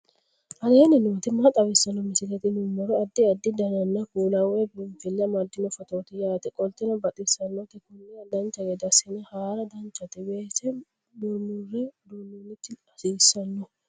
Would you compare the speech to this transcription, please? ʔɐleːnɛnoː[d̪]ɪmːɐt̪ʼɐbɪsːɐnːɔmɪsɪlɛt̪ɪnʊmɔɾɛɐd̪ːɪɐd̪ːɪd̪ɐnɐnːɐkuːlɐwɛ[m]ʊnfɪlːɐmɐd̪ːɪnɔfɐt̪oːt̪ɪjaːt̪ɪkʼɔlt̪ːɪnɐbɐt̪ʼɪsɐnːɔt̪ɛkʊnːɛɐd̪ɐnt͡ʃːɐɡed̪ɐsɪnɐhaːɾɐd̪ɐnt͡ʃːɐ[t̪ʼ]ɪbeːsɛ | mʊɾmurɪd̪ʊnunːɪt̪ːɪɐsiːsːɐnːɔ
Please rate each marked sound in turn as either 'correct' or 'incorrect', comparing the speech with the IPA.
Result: incorrect, incorrect, incorrect

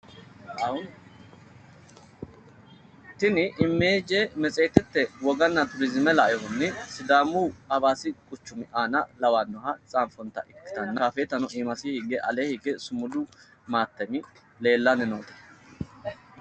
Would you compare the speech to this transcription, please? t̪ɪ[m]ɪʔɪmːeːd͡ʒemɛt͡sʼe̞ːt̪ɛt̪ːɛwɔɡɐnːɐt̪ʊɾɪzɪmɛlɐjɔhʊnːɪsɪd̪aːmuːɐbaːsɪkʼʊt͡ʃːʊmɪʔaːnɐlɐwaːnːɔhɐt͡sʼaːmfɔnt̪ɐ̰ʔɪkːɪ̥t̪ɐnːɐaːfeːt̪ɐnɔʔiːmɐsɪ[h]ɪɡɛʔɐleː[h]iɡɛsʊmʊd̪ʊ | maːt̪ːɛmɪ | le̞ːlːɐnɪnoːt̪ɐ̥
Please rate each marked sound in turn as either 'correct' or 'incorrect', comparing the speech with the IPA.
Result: incorrect, correct, correct

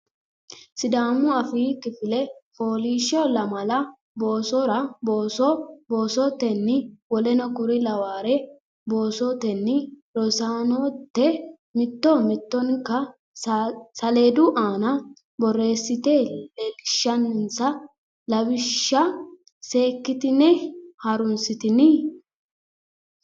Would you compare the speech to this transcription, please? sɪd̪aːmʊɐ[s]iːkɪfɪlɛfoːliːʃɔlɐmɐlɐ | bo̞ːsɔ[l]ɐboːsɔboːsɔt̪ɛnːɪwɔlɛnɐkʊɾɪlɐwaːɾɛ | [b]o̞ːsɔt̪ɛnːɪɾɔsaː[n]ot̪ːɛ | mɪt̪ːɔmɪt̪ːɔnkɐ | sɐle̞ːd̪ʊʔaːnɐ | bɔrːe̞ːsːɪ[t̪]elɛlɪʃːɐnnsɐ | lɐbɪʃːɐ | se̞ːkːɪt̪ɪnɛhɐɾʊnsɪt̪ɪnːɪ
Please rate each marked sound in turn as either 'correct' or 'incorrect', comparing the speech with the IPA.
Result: incorrect, incorrect, correct, correct, correct

